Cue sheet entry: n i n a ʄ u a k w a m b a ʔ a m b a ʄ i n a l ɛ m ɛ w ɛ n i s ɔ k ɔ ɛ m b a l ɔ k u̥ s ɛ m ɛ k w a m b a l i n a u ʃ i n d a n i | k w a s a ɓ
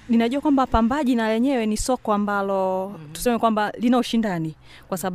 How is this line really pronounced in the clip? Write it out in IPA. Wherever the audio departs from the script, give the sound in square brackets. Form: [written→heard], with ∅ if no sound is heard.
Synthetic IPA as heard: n i n a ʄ u a k w a m b a [ʔ→p] a m b a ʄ i n a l ɛ [m→ɲ] ɛ w ɛ n i s ɔ k ɔ [ɛ→a] m b a l ɔ [k→t] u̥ s ɛ m ɛ k w a m b a l i n a u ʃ i n d a n i | k w a s a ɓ